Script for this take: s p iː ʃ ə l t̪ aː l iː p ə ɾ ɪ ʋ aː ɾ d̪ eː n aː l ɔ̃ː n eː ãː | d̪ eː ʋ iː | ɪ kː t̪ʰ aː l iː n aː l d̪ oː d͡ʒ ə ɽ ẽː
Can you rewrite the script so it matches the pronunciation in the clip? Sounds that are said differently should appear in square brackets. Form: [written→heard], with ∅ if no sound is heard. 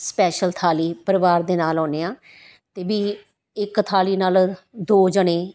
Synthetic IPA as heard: s p [iː→ɛː] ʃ ə l [t̪→t̪ʰ] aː l iː p ə ɾ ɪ ʋ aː ɾ d̪ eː n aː l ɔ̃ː n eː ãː | [d̪→t̪] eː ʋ iː | ɪ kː t̪ʰ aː l iː n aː l d̪ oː d͡ʒ ə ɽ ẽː